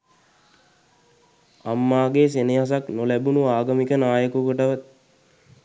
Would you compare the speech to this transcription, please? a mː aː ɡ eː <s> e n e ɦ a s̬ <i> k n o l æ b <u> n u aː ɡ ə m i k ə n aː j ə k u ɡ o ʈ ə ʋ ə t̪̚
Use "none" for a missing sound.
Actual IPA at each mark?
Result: s, a, u

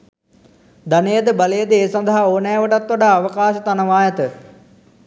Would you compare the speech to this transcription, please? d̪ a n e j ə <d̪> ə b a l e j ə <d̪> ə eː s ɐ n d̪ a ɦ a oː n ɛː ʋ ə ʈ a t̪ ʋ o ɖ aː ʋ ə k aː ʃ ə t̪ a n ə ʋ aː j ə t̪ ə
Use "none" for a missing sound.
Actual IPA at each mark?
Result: d̪, d̪

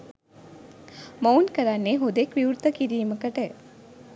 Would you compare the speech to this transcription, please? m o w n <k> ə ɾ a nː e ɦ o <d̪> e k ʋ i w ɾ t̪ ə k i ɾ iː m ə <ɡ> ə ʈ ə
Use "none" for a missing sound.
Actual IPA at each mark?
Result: k, d̪, k

